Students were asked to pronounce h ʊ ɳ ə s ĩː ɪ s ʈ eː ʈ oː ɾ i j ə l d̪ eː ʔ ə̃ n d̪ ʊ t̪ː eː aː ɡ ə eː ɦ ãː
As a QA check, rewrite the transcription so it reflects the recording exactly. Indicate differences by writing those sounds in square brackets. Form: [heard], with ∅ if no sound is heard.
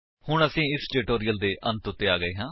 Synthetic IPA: h ʊ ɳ ə s ĩː ɪ s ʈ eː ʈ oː ɾ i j ə l d̪ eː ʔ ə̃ n [t̪] ʊ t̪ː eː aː ɡ ə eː ɦ ãː